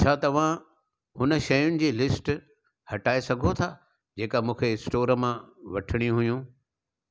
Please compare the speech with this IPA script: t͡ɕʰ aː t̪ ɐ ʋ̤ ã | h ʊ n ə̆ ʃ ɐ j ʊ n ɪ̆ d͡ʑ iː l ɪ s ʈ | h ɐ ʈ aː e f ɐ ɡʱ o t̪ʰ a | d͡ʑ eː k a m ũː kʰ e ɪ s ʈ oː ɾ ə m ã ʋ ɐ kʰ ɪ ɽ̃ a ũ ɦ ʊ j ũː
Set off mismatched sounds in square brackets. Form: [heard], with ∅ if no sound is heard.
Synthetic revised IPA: t͡ɕʰ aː t̪ ɐ ʋ̤ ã | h ʊ n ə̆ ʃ ɐ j ʊ n ɪ̆ d͡ʑ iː l ɪ s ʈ | h ɐ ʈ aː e [s] ɐ ɡʱ o t̪ʰ a | d͡ʑ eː k a m ũː kʰ e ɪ s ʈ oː ɾ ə m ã ʋ ɐ [ʈʰ] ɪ ɽ̃ [i] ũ ɦ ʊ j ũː